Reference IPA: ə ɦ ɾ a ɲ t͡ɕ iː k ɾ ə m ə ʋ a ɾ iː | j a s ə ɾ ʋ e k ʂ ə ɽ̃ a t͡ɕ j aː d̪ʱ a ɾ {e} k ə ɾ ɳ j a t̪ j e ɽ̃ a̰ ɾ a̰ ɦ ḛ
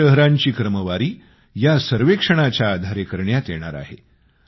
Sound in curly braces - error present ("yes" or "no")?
no